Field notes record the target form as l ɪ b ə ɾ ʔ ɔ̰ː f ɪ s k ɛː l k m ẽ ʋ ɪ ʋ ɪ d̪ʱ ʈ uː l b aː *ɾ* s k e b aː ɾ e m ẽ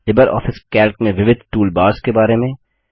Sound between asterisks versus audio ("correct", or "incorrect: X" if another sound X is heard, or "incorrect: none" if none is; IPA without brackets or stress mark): correct